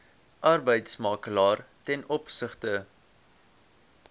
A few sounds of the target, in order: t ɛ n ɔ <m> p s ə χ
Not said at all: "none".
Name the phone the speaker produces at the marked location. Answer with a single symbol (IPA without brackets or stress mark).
none